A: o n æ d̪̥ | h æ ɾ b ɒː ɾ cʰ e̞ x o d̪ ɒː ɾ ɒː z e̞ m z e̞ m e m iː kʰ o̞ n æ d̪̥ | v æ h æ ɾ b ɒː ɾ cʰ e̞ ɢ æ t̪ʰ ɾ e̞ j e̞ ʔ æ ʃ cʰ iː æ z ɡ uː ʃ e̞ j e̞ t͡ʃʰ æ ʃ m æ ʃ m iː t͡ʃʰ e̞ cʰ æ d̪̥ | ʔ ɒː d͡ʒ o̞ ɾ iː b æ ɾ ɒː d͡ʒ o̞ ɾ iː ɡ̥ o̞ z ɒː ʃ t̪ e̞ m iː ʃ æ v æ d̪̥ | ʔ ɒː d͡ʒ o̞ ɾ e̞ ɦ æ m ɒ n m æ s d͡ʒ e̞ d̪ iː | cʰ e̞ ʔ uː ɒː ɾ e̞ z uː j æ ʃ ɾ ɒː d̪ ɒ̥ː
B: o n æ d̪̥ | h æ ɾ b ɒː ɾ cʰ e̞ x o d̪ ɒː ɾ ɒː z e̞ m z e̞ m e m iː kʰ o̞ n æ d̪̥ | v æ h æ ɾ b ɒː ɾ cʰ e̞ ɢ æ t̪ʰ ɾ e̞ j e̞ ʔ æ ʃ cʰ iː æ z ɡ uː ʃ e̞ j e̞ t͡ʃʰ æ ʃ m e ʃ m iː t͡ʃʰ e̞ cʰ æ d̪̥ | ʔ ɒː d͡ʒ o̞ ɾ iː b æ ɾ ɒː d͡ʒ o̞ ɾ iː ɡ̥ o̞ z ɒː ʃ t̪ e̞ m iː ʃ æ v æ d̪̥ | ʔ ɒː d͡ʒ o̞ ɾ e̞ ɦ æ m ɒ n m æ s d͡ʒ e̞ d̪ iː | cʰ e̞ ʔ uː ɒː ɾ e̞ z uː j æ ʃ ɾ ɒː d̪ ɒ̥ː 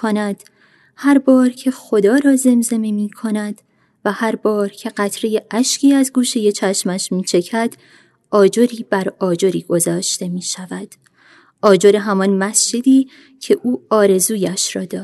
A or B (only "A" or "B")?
A